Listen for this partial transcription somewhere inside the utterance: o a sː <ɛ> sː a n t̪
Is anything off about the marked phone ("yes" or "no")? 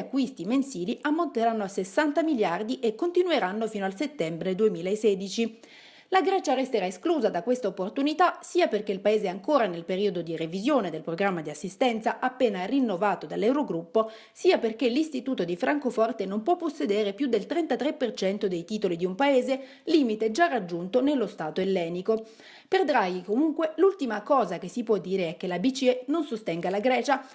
yes